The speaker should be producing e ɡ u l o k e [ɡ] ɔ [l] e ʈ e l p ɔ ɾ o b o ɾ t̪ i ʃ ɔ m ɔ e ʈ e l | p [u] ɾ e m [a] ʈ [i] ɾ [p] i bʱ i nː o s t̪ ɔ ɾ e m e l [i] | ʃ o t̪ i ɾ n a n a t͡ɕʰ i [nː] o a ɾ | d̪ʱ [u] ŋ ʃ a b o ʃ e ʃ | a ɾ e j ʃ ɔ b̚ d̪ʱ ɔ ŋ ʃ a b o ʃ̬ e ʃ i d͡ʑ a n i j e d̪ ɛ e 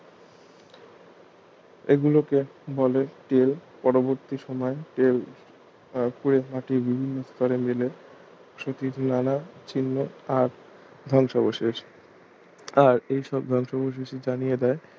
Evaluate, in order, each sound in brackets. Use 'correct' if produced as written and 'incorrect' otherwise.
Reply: incorrect, correct, correct, correct, correct, incorrect, incorrect, correct, incorrect

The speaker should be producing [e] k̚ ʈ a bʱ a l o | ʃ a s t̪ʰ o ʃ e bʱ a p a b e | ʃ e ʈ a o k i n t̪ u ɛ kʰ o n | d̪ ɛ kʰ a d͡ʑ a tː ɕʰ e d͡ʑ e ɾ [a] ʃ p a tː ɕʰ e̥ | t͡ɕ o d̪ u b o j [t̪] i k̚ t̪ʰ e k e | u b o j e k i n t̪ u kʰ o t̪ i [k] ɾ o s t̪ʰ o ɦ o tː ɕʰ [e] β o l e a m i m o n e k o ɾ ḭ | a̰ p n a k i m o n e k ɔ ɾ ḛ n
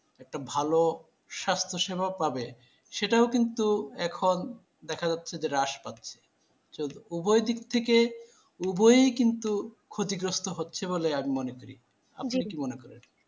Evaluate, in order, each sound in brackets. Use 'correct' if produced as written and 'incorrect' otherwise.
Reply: incorrect, correct, incorrect, incorrect, correct

